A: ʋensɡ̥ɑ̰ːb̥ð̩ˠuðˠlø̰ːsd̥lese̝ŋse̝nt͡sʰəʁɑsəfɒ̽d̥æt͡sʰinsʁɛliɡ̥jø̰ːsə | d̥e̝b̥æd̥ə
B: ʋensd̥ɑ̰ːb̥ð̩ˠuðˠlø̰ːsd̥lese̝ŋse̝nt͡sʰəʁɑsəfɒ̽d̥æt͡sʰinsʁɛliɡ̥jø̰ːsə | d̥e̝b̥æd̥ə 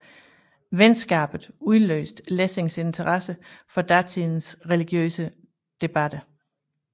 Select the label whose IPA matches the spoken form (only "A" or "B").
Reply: A